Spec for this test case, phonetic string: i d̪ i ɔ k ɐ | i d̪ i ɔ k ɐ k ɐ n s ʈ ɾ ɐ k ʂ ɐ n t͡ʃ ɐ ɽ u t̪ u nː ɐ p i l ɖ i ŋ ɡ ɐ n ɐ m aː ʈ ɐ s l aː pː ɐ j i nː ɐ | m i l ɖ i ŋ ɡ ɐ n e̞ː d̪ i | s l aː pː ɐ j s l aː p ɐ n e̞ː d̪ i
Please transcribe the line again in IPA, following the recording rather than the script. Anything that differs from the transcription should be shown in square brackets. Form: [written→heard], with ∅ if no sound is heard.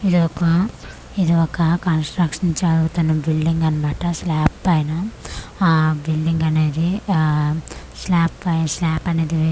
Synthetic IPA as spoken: i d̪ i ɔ k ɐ | i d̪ i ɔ k ɐ k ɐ n s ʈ ɾ ɐ k ʂ ɐ n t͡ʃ ɐ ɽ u t̪ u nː ɐ [p→b] i l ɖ i ŋ ɡ ɐ n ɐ m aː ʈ ɐ s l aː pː ɐ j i [nː→n] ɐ | [m→b] i l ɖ i ŋ ɡ ɐ n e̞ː d̪ i | s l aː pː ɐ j s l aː p ɐ n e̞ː d̪ i